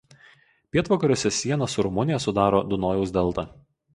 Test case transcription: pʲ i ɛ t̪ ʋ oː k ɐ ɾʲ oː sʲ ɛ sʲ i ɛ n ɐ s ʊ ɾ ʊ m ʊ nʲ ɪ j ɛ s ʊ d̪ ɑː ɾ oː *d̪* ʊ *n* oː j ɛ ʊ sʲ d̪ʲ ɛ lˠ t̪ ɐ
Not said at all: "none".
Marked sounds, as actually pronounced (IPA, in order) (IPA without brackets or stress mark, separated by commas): d̪, n